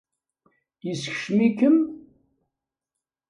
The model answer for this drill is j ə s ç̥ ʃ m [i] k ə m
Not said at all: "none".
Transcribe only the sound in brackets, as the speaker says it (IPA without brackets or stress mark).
i